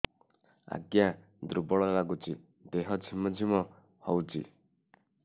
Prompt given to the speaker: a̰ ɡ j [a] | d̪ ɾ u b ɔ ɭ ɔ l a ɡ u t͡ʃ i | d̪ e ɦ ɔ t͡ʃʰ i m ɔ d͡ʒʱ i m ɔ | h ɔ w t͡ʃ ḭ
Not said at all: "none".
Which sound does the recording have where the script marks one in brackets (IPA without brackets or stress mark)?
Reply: a